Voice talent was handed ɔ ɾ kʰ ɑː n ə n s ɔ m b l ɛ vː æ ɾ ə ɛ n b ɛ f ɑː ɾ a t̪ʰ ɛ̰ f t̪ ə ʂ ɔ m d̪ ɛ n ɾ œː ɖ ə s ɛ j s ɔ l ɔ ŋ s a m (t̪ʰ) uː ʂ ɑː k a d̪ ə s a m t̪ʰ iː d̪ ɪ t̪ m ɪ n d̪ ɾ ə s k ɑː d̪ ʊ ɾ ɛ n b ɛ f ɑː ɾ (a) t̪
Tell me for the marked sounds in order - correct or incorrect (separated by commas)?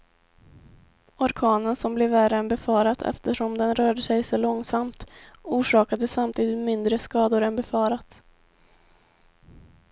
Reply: incorrect, correct